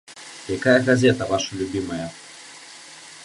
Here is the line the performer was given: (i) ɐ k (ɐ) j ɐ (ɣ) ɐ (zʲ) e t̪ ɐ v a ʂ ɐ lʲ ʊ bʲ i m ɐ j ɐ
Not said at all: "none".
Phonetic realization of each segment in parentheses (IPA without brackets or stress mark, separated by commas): j, a, ɣ, zʲ